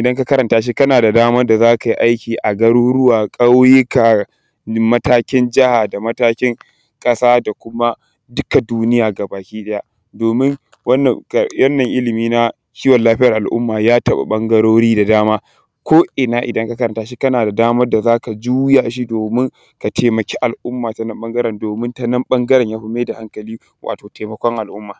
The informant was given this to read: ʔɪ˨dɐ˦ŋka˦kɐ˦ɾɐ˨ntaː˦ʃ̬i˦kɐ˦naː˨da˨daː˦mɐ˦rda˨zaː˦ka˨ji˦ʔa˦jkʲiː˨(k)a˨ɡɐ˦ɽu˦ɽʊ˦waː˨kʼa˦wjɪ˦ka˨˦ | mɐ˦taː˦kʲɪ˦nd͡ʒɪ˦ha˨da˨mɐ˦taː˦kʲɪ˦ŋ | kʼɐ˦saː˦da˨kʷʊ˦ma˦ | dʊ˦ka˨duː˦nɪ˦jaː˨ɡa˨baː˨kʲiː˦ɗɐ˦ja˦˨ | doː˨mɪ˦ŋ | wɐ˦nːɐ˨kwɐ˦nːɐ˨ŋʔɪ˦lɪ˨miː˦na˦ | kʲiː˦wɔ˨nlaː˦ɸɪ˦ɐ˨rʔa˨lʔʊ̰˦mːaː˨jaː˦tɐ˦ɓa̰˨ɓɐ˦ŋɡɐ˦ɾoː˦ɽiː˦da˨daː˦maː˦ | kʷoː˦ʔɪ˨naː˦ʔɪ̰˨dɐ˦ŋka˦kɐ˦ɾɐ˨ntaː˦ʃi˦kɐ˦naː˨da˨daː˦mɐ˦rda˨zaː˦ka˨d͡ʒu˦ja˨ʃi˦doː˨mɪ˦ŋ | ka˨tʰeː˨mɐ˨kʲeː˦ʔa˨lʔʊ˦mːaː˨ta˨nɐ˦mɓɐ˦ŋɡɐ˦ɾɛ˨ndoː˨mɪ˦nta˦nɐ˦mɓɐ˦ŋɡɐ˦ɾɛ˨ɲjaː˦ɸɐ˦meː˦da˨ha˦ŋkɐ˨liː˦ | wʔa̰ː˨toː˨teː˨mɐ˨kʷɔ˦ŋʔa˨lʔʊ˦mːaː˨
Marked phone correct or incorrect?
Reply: incorrect